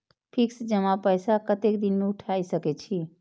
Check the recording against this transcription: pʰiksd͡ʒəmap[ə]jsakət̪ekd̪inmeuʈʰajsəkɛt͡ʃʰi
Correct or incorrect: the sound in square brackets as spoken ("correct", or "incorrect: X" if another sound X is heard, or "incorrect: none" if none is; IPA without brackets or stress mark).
correct